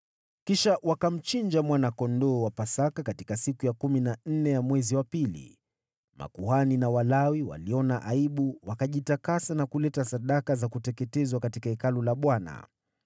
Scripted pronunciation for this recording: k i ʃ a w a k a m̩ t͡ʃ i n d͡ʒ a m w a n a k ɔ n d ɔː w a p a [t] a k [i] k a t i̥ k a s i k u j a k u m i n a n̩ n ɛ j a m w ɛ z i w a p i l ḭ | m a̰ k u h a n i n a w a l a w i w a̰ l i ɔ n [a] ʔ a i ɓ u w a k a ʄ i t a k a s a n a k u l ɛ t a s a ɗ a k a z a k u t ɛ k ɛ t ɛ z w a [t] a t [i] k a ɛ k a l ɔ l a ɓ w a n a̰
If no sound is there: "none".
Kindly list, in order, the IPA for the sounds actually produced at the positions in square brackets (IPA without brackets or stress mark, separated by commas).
s, a, a, k, i